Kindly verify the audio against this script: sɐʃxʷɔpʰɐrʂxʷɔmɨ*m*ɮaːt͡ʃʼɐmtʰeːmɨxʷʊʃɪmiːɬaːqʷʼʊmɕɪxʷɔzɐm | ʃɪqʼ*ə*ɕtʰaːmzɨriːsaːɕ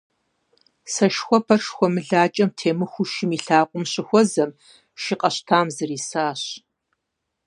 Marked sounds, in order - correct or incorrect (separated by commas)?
incorrect, incorrect